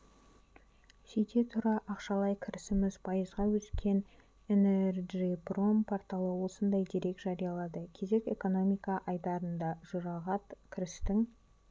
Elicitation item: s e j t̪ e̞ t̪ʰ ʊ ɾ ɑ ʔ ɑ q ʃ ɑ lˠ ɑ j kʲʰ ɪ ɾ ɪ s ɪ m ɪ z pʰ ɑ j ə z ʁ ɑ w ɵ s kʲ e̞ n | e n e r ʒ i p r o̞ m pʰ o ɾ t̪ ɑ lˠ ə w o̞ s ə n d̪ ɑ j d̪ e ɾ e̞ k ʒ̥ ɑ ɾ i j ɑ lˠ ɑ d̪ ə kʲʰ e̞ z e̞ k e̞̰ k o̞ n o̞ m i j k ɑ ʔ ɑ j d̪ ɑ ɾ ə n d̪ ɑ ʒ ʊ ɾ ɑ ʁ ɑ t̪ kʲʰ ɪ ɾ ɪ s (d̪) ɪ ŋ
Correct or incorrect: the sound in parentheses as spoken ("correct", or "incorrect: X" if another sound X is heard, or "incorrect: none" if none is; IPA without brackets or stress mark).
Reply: incorrect: t̪